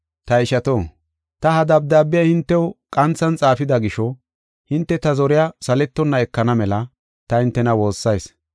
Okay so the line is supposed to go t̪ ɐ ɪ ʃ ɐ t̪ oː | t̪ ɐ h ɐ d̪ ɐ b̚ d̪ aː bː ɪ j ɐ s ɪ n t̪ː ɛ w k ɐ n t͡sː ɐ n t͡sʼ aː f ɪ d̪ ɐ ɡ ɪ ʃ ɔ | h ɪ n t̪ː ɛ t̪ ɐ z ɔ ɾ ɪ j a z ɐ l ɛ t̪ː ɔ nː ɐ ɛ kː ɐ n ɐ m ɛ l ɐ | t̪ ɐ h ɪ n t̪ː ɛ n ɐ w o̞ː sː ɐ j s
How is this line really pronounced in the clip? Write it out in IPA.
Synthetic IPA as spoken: t̪ ɐ ɪ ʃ ɐ t̪ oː | t̪ ɐ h ɐ d̪ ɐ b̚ d̪ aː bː ɪ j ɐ h ɪ n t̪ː ɛ w kʼ ɐ n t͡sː ɐ n t͡sʼ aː f ɪ d̪ ɐ ɡ ɪ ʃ ɔ | h ɪ n t̪ː ɛ t̪ ɐ z ɔ ɾ ɪ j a s ɐ l ɛ t̪ː ɔ nː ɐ ɛ kː ɐ n ɐ m ɛ l ɐ | t̪ ɐ h ɪ n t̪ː ɛ n ɐ w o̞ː sː ɐ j s